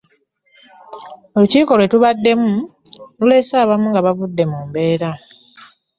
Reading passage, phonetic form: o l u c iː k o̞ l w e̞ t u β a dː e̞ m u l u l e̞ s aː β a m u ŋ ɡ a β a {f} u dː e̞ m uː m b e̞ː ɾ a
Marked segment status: incorrect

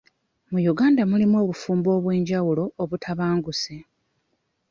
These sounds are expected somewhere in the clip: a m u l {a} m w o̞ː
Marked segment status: incorrect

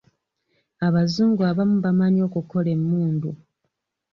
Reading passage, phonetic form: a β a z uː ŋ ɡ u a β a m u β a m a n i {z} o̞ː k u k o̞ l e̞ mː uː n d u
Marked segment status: incorrect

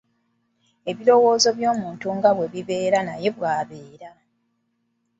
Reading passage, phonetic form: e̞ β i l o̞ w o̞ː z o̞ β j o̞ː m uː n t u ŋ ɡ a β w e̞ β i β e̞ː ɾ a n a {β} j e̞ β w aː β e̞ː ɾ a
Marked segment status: incorrect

